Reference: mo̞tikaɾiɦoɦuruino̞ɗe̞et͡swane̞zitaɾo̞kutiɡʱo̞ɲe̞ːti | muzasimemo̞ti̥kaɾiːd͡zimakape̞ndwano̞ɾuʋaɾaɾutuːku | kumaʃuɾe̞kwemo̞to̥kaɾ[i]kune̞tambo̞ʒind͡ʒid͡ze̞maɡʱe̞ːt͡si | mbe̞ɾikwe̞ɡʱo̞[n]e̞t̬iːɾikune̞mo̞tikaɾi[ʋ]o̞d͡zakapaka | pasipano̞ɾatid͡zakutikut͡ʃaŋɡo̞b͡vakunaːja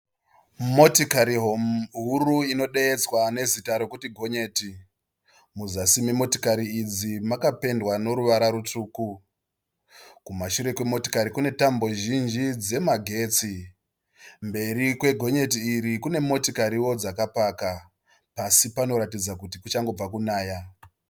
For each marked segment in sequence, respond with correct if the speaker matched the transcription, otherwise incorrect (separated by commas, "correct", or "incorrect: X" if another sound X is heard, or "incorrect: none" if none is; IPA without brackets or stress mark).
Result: correct, incorrect: ɲ, incorrect: w